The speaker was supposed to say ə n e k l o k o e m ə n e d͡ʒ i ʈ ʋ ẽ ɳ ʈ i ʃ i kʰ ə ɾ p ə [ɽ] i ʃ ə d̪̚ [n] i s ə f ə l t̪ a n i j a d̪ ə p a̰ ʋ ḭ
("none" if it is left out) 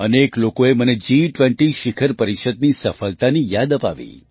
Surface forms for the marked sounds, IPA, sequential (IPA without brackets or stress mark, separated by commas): ɾ, n